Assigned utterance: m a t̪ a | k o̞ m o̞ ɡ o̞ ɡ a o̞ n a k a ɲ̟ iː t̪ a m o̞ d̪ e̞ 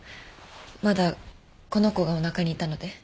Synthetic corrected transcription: m a d̪ a | k o̞ n o̞ k o̞ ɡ a o̞ n a k a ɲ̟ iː t̪ a n o̞ d̪ e̞